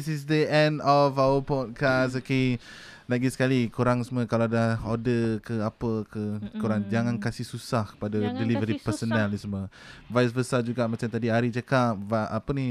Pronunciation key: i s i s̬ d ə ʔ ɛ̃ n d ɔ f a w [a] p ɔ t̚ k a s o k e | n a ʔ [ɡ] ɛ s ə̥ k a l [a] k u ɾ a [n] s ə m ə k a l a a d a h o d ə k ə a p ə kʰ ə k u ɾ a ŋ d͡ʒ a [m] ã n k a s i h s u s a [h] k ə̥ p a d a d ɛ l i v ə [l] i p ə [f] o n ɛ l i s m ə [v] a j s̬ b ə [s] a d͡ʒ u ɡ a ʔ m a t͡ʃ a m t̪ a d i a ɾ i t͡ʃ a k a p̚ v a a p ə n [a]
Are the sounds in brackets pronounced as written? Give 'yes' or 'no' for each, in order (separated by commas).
no, yes, no, no, no, yes, no, no, yes, yes, no